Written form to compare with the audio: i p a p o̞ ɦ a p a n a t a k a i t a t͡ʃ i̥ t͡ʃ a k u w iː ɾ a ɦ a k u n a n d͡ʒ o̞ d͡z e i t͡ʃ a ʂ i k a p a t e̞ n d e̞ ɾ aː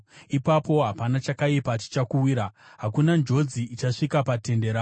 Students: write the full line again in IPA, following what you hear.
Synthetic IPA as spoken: i p a p o̞ ɦ a p a n a t͡ʃ a k a i p a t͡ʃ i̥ t͡ʃ a k u w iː ɾ a ɦ a k u n a n d͡ʒ o̞ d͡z i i t͡ʃ a ʂ i k a p a t e̞ n d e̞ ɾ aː

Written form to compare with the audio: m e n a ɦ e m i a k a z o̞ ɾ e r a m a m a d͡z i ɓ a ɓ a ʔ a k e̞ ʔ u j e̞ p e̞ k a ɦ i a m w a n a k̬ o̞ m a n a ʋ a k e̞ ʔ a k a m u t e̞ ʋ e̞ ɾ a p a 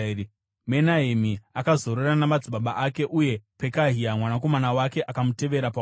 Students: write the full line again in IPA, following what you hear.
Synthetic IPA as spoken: m e n a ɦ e m i a k a z o̞ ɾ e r a n a m a d͡z i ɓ a ɓ a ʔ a k e̞ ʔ u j e̞ p e̞ k a ɦ i a m w a n a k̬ o̞ m a n a w a k e̞ ʔ a k a m u t e̞ ʋ e̞ ɾ a p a

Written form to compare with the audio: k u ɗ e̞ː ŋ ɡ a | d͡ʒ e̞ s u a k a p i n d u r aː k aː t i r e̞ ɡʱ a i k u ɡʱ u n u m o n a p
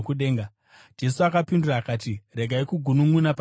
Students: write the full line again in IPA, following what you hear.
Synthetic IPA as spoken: k u ɗ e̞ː ŋ ɡ a | d͡ʒ e̞ s u a k a p i n d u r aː k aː t i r e̞ ɡʱ a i k u ɡʱ u n u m u n a p

